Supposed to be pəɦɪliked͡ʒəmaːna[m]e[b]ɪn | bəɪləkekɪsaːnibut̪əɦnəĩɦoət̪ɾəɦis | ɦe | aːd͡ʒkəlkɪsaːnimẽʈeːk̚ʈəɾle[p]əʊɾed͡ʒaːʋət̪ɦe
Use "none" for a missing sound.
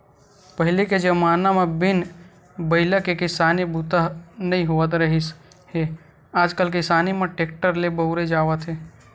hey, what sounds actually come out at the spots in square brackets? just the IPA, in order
m, b, b

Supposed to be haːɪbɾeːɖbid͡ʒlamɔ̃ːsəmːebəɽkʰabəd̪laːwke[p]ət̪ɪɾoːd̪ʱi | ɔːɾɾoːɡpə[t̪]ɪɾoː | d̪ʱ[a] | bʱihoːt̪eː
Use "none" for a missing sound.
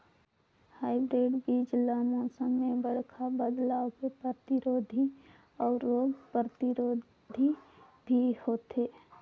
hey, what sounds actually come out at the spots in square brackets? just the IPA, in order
p, t̪, i

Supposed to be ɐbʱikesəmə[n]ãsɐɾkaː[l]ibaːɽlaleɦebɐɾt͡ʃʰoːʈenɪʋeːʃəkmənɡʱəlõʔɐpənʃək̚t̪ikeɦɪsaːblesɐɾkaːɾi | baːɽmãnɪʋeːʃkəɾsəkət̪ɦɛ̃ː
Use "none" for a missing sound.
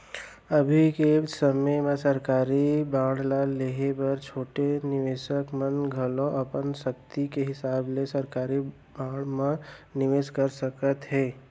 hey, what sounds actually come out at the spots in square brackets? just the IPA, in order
m, ɾ

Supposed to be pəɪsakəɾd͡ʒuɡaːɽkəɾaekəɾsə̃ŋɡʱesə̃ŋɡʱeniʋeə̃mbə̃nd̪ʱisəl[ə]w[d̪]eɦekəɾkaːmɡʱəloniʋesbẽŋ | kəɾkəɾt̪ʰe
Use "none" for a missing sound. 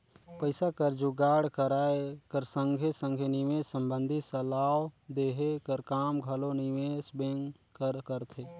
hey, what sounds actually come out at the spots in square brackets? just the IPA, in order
a, d̪

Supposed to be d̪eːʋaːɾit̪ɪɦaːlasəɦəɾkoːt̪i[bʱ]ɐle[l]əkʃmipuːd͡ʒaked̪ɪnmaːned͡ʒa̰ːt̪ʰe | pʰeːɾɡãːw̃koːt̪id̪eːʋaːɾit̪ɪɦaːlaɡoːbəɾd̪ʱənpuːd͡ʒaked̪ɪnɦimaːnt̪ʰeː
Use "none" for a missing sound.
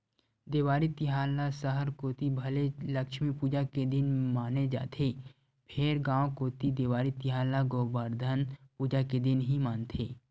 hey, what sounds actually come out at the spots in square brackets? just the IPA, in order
bʱ, l

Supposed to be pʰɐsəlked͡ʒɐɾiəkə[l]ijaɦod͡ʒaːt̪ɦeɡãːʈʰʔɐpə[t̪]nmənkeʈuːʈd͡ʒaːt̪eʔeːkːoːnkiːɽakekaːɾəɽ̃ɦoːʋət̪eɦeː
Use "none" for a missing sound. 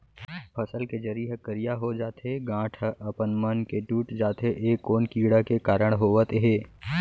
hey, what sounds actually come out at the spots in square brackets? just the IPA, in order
ɾ, none

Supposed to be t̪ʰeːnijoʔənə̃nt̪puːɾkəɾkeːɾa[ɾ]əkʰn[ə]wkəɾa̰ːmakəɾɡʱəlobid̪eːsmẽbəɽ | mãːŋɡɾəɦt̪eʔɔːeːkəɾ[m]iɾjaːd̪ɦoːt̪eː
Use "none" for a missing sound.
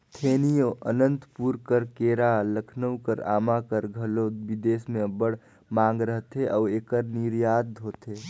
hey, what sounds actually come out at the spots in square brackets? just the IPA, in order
l, ə, n

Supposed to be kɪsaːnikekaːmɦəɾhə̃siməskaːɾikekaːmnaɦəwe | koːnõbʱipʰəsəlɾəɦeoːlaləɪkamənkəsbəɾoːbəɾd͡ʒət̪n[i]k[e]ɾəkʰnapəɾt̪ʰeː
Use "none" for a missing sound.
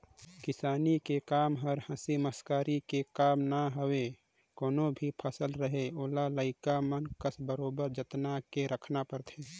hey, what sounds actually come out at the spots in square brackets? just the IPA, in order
a, e

